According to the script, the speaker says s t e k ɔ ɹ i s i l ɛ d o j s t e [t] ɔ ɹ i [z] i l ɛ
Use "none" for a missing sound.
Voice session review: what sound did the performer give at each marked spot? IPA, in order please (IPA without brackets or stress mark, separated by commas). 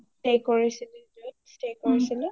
k, s